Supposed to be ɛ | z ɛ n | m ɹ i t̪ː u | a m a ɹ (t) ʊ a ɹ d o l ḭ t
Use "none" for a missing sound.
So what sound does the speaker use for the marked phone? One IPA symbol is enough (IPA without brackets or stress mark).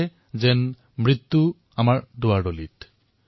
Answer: d